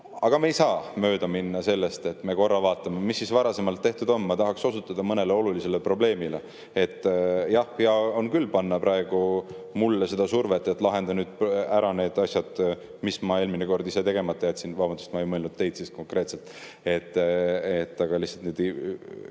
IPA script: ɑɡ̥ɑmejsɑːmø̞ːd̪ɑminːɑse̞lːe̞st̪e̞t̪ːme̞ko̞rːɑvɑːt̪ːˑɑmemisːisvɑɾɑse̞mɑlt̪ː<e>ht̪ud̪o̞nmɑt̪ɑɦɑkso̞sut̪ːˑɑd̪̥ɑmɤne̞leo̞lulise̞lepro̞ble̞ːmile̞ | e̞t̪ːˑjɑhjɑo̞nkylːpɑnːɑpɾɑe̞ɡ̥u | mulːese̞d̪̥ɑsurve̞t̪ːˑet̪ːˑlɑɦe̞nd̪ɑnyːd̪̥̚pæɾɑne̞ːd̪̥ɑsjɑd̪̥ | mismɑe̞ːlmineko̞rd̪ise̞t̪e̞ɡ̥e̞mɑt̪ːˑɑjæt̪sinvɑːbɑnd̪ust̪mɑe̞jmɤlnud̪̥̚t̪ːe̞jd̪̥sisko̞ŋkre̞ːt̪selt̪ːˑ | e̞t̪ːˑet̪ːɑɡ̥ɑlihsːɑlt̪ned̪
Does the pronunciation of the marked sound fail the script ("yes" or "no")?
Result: no